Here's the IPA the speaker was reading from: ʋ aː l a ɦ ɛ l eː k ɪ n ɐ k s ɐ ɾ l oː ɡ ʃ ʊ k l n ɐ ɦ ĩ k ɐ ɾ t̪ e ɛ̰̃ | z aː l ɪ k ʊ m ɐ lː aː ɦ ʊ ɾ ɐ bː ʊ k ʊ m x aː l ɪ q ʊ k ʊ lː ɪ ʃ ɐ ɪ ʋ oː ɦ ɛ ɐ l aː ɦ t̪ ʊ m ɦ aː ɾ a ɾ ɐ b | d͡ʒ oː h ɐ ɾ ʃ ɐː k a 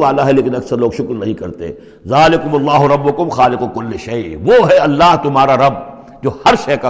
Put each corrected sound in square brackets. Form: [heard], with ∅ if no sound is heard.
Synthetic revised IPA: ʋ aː l a ɦ ɛ l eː k ɪ n ɐ k s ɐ ɾ l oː ɡ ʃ ʊ k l n ɐ ɦ ĩ k ɐ ɾ t̪ e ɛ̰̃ | z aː l ɪ k ʊ m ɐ lː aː ɦ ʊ ɾ ɐ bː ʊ k ʊ m x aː l ɪ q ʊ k ʊ lː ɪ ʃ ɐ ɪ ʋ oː ɦ ɛ ɐ [lː] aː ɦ t̪ ʊ m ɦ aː ɾ a ɾ ɐ b | d͡ʒ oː h ɐ ɾ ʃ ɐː k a